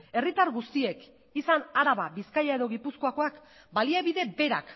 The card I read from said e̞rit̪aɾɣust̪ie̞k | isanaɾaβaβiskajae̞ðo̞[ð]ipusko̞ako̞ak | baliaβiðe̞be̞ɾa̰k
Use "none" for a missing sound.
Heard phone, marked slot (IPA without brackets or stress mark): ɣ